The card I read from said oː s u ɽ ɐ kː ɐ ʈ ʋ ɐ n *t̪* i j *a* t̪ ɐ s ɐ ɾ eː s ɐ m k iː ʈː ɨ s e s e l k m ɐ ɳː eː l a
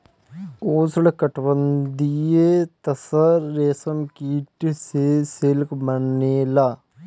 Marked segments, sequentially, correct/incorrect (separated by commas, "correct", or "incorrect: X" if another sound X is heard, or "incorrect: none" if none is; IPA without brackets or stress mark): incorrect: d̪, incorrect: e